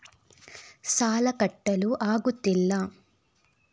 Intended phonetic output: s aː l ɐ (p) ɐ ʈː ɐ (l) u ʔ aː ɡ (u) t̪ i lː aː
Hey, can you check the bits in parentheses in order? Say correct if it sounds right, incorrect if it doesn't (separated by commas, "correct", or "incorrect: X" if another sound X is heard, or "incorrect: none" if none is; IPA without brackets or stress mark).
incorrect: k, correct, correct